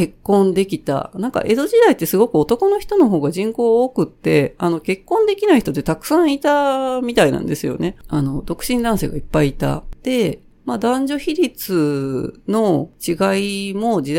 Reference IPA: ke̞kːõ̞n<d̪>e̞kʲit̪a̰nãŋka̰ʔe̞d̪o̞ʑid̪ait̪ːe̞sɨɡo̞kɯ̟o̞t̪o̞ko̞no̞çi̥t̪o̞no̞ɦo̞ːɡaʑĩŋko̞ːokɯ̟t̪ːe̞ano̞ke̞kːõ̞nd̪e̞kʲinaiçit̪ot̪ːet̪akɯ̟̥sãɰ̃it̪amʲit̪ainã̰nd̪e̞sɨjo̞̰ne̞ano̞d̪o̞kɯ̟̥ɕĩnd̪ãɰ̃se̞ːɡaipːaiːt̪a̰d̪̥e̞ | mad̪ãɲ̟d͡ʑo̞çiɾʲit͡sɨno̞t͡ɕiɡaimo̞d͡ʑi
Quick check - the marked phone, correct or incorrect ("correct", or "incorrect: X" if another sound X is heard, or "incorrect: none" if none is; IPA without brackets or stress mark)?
correct